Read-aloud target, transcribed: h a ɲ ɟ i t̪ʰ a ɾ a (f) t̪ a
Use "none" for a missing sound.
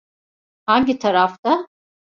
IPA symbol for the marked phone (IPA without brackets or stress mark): f